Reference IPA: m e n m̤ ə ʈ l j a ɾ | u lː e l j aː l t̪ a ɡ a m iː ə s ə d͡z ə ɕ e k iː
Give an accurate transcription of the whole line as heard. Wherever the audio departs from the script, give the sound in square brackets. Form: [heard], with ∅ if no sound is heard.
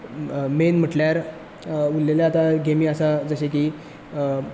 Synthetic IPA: m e n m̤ ə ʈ l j a ɾ | u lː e l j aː [∅] t̪ a ɡ [e] m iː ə s [a] d͡z ə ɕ e k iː